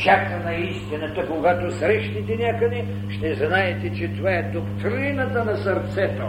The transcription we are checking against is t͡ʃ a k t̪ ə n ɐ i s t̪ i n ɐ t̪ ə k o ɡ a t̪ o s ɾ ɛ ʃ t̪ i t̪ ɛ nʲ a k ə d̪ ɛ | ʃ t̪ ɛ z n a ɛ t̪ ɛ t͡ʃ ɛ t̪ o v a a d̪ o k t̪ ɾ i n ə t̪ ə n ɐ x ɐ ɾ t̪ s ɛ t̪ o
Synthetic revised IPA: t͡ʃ a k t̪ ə n ɐ i s t̪ i n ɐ t̪ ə k o ɡ a t̪ o s ɾ ɛ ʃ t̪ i t̪ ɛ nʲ a k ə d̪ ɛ | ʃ t̪ ɛ z n a ɛ t̪ ɛ t͡ʃ ɛ t̪ o v a ɛ d̪ o k t̪ ɾ i n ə t̪ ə n ɐ s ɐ ɾ t̪ s ɛ t̪ o